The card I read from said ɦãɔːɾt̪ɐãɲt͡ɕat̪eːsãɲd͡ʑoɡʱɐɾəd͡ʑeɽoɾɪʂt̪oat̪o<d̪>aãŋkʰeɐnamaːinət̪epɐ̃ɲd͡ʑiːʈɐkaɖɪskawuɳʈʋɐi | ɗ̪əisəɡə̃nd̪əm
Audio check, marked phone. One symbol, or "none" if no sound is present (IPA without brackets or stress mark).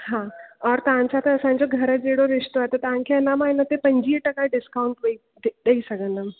t̪